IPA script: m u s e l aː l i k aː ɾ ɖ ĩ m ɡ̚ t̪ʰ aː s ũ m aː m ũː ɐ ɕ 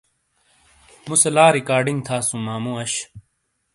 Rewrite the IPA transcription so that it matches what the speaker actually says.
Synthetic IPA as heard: m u s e l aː ɾ i k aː ɾ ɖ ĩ ŋ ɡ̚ t̪ʰ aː s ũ m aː m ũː ɐ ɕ